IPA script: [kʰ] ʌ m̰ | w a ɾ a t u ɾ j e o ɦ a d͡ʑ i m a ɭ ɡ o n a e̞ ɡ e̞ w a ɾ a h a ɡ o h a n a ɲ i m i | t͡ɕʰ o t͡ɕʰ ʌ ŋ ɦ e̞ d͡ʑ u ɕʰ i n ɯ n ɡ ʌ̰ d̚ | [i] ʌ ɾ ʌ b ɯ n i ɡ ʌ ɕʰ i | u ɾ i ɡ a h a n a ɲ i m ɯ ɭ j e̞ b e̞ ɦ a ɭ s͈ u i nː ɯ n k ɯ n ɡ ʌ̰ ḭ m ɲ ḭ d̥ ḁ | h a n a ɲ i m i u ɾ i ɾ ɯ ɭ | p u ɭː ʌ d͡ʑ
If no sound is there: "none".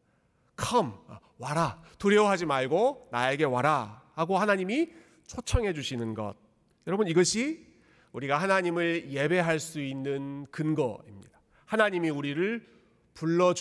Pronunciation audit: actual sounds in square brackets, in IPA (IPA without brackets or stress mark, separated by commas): kʰ, j